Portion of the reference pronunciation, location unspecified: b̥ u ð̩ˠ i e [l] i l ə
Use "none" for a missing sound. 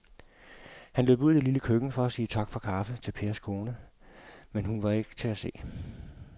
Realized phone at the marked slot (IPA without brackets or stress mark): l